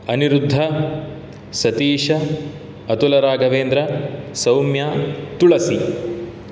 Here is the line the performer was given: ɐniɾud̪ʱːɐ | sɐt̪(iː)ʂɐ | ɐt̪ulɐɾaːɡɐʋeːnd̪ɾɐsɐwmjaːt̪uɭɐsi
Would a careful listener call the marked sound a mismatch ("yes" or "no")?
no